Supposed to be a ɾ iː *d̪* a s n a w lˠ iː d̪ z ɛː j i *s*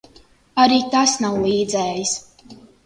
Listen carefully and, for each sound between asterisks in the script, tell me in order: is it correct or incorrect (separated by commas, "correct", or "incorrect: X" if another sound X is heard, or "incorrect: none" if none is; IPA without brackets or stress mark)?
incorrect: t̪, correct